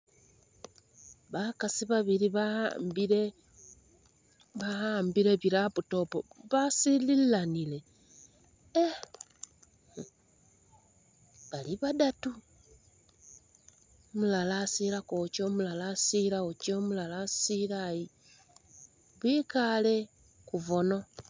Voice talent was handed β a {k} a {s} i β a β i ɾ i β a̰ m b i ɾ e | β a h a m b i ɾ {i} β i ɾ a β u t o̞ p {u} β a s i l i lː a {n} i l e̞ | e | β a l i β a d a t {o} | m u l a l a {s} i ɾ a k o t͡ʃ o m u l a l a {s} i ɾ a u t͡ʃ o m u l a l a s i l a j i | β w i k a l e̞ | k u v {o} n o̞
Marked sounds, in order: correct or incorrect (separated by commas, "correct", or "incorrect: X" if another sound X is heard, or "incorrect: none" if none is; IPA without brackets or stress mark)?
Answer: correct, correct, incorrect: e, incorrect: o, correct, incorrect: u, correct, correct, correct